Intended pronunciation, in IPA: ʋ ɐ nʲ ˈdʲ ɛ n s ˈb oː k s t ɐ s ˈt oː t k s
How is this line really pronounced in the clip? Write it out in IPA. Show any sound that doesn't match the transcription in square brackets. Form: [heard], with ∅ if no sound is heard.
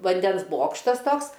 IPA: ʋ ɐ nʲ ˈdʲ ɛ n s ˈb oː k [ʃ] t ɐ s ˈt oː [∅] k s